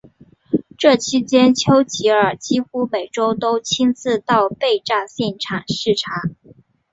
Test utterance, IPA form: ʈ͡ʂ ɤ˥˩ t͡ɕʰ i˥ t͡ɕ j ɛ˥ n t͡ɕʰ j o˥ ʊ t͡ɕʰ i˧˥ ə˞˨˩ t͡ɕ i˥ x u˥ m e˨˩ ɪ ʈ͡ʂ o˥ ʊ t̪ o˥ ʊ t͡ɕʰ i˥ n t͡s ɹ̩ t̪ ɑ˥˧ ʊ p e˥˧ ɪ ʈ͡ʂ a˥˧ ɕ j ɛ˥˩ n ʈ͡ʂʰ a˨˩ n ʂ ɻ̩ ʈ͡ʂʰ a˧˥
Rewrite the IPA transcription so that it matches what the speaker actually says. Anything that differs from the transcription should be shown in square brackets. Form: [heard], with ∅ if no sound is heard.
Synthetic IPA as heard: ʈ͡ʂ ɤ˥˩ t͡ɕʰ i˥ t͡ɕ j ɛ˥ n t͡ɕʰ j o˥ ʊ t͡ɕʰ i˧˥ ə˞˨˩ t͡ɕ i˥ x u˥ m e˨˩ ɪ ʈ͡ʂ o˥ ʊ t̪ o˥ ʊ t͡ɕʰ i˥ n t͡s ɹ̩ t̪ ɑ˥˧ ʊ p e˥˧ ɪ ʈ͡ʂ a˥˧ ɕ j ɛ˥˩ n ʈ͡ʂʰ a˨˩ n ʂ ɻ̩ ʈ͡ʂʰ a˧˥

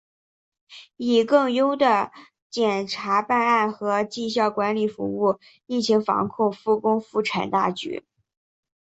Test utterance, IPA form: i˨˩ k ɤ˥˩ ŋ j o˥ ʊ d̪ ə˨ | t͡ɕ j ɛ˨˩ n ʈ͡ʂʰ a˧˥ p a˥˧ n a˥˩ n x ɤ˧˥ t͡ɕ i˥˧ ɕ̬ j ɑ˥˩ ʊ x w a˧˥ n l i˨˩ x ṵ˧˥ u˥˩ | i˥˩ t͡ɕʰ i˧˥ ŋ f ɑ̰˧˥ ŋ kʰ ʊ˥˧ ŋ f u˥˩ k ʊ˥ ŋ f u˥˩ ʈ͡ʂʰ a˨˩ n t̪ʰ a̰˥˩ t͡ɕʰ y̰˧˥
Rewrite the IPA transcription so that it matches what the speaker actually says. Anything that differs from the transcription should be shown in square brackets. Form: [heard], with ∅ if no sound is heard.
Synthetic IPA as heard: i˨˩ k ɤ˥˩ ŋ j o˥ ʊ d̪ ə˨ | t͡ɕ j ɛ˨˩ n ʈ͡ʂʰ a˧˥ p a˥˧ n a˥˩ n x ɤ˧˥ t͡ɕ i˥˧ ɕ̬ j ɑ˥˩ ʊ [k] w a˧˥ n l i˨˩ [f] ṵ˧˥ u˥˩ | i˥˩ t͡ɕʰ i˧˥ ŋ f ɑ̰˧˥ ŋ kʰ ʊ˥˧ ŋ f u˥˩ k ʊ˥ ŋ f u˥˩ ʈ͡ʂʰ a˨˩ n [t̪] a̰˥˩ [t͡ɕ] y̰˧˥

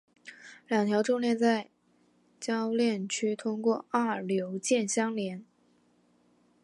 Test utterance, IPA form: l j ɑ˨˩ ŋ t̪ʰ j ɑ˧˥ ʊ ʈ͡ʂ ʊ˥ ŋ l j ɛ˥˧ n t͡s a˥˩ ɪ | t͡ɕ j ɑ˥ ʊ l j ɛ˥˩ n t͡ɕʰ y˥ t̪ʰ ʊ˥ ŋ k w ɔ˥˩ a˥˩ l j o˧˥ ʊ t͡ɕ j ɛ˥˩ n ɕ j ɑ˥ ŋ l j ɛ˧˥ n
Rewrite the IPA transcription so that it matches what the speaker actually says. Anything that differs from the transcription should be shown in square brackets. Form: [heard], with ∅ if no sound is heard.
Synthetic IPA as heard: l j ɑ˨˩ ŋ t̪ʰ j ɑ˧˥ ʊ ʈ͡ʂ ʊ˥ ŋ l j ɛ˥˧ n t͡s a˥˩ ɪ | t͡ɕ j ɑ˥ ʊ l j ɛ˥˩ n t͡ɕʰ y˥ t̪ʰ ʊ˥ ŋ k w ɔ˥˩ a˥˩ l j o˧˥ ʊ t͡ɕ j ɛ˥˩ n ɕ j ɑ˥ ŋ l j ɛ˧˥ n

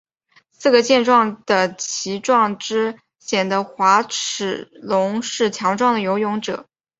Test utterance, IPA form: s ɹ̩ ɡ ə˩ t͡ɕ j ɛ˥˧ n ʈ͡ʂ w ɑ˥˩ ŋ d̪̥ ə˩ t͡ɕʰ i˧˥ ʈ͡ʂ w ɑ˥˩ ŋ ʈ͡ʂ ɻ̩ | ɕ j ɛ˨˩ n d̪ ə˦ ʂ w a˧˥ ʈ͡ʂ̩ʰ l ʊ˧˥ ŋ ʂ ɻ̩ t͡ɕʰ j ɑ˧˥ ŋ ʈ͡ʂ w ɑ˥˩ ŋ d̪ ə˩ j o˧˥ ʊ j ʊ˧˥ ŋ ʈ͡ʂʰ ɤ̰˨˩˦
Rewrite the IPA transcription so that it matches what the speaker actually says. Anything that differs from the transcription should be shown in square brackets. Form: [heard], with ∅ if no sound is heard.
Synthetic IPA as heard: s ɹ̩ ɡ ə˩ t͡ɕ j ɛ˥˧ n ʈ͡ʂ w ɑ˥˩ ŋ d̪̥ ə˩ t͡ɕʰ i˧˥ ʈ͡ʂ w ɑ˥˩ ŋ ʈ͡ʂ ɻ̩ | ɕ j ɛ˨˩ n d̪ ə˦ [x] w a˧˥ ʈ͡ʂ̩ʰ l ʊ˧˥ ŋ ʂ ɻ̩ t͡ɕʰ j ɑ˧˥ ŋ ʈ͡ʂ w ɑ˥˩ ŋ d̪ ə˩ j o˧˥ ʊ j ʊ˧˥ ŋ [ʈ͡ʂ] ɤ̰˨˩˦

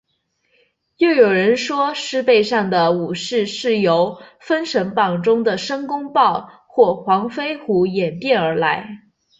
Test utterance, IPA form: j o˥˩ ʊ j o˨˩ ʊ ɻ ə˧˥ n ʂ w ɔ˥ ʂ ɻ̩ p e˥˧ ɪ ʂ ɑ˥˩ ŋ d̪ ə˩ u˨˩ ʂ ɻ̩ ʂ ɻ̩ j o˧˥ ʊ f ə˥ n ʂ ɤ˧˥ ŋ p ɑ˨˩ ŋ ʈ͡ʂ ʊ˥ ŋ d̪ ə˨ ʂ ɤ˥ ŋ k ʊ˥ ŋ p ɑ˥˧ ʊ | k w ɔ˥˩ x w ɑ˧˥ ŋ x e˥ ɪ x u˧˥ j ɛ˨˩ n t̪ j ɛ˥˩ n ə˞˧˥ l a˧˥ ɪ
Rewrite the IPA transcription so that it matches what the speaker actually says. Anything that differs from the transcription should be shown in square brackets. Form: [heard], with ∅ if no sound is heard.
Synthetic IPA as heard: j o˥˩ ʊ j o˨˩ ʊ ɻ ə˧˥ n ʂ w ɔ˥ ʂ ɻ̩ p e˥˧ ɪ ʂ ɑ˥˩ ŋ d̪ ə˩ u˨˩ ʂ ɻ̩ ʂ ɻ̩ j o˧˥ ʊ f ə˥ n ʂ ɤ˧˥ ŋ p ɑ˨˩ ŋ ʈ͡ʂ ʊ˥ ŋ d̪ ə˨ ʂ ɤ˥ ŋ k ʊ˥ ŋ p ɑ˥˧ ʊ | [x] w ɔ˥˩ x w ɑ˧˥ ŋ [f] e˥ ɪ x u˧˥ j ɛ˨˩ n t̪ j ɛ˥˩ n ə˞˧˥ l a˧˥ ɪ

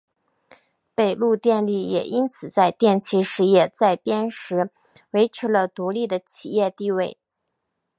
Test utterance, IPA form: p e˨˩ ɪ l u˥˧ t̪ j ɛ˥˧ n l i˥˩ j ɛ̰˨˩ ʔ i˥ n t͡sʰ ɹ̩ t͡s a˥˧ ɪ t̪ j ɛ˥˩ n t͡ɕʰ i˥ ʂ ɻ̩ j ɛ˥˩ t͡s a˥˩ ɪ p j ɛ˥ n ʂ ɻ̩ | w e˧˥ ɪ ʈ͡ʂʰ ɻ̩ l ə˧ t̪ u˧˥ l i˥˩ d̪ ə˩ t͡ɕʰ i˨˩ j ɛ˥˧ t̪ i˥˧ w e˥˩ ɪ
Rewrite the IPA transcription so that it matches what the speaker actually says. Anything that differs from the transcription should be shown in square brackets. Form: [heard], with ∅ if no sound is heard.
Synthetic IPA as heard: p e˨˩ ɪ l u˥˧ t̪ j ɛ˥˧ n l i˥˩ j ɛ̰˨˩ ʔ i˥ n t͡sʰ ɹ̩ t͡s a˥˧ ɪ t̪ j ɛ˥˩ n t͡ɕʰ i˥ ʂ ɻ̩ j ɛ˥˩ t͡s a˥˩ ɪ p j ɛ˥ n ʂ ɻ̩ | w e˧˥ ɪ ʈ͡ʂʰ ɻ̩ l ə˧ t̪ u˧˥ l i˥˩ d̪ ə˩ t͡ɕʰ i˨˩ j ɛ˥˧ t̪ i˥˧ w e˥˩ ɪ

